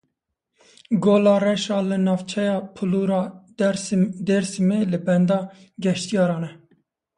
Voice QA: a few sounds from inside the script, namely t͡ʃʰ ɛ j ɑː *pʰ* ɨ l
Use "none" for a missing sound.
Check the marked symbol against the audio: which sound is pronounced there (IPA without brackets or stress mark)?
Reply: pʰ